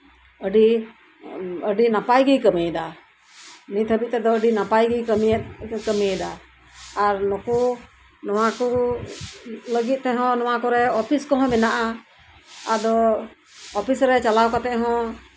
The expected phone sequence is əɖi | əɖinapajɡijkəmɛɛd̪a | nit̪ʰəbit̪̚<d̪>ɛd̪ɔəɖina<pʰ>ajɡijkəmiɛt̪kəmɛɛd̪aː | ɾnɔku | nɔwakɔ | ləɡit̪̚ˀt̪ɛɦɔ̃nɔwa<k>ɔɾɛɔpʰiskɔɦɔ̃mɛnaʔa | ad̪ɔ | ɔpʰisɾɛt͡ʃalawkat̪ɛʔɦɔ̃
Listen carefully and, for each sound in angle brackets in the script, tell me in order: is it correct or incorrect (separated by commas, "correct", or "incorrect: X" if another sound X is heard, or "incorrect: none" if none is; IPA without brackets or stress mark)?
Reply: incorrect: t̪, incorrect: p, correct